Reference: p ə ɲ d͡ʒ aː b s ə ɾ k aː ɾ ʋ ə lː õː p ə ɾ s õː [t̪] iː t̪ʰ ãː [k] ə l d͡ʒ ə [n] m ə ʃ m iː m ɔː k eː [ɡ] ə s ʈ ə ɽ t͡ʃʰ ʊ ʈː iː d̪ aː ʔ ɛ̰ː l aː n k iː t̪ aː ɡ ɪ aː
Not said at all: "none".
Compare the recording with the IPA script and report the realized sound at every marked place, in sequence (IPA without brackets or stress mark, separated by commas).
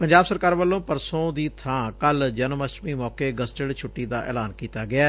d̪, k, n, ɡ